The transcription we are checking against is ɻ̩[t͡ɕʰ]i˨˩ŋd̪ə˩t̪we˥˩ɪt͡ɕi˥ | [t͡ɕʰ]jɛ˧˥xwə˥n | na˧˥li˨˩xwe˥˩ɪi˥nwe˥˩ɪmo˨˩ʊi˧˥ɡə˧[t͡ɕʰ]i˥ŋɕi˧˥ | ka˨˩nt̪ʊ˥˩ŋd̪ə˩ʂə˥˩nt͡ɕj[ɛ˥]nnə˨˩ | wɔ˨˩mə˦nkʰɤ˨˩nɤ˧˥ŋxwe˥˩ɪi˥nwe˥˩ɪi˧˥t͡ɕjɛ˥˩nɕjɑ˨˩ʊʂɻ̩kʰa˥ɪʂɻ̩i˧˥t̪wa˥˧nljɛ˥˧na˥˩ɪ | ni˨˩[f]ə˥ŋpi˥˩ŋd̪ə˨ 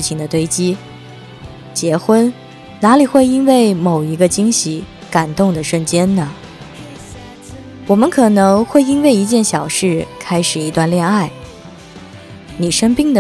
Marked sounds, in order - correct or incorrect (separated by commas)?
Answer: correct, incorrect, incorrect, correct, incorrect